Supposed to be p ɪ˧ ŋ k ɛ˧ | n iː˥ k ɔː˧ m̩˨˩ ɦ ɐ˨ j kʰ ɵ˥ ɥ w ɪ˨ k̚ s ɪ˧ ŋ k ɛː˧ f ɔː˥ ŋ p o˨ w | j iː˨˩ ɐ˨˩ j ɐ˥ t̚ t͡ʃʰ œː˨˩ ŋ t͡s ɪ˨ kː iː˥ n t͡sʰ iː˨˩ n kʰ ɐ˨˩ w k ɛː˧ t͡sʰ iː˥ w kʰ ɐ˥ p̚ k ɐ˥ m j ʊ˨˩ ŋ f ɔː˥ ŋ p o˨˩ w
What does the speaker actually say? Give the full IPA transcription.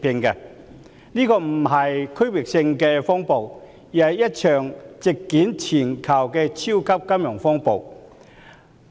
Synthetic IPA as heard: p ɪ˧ ŋ k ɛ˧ | n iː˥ k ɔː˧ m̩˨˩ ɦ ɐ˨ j kʰ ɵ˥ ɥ w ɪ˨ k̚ s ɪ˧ ŋ k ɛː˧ f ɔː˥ ŋ p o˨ w | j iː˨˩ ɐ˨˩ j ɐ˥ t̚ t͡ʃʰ œː˨˩ ŋ t͡s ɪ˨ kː iː˨˥ n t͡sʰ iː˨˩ n kʰ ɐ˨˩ w k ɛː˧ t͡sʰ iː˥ w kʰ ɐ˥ p̚ k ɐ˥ m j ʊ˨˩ ŋ f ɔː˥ ŋ p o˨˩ w